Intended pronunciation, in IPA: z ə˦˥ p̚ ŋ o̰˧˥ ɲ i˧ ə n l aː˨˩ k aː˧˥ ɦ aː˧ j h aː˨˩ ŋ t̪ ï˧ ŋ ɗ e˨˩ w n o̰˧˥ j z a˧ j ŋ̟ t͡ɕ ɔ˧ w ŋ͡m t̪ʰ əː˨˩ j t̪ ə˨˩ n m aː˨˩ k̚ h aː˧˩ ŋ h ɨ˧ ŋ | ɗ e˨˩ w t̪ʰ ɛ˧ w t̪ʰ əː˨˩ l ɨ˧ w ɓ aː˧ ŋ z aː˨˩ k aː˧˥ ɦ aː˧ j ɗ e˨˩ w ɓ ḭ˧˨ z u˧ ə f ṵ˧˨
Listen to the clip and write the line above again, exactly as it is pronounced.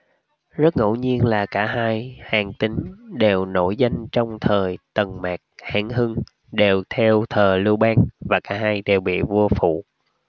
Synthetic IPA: z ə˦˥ t̚ ŋ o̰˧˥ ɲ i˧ ə n l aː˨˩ k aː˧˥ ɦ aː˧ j h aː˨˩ ŋ t̪ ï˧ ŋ ɗ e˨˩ w n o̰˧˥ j z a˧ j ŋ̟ t͡ɕ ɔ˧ w ŋ͡m t̪ʰ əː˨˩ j t̪ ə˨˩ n m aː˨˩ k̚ h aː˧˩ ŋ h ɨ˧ ŋ | ɗ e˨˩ w t̪ʰ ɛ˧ w t̪ʰ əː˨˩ l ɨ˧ w ɓ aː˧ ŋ v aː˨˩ k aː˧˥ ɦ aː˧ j ɗ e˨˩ w ɓ ḭ˧˨ v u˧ ə f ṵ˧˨